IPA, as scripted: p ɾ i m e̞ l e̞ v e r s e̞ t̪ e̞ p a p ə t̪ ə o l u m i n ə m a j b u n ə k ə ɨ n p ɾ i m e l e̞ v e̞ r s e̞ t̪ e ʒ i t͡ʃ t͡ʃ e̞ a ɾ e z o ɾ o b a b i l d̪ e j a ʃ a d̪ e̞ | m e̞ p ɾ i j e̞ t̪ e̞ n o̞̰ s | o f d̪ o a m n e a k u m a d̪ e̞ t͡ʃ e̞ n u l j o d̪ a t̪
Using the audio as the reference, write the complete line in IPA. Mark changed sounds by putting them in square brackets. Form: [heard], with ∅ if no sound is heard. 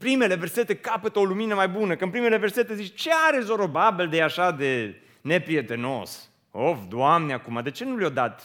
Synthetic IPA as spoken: p ɾ i m e̞ l e̞ v e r s e̞ t̪ e̞ [k] a p ə t̪ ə o l u m i n ə m a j b u n ə k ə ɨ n p ɾ i m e l e̞ v e̞ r s e̞ t̪ e [z] i t͡ʃ t͡ʃ e̞ a ɾ e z o ɾ o b a b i l d̪ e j a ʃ a d̪ e̞ | [n] e̞ p ɾ i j e̞ t̪ e̞ n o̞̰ s | o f d̪ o a m n e a k u m a d̪ e̞ t͡ʃ e̞ n u l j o d̪ a t̪